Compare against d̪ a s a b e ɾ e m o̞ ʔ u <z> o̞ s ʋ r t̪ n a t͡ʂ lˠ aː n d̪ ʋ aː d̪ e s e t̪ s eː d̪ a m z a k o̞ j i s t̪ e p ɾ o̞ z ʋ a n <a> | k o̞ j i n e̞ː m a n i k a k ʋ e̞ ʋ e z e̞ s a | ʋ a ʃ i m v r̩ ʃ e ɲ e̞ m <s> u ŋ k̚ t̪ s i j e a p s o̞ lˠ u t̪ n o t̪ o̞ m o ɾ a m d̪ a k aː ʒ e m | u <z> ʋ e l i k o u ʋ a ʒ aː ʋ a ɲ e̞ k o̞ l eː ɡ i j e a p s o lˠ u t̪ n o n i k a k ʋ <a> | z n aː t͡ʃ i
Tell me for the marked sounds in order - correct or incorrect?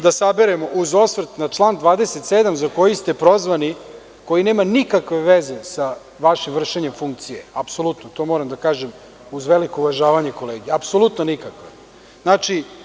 correct, incorrect: i, incorrect: f, correct, incorrect: e

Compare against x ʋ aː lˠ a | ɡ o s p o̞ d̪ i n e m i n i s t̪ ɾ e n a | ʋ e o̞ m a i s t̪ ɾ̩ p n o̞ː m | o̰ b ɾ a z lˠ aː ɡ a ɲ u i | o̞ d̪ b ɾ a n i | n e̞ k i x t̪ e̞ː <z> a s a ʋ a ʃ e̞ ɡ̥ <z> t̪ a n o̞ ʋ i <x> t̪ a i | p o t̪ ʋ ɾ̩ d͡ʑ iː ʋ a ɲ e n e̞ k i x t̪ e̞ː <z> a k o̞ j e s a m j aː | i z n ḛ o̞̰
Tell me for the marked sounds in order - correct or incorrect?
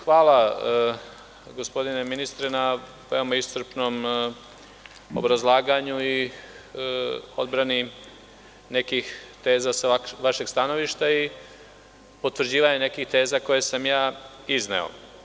correct, incorrect: s, incorrect: ʃ, correct

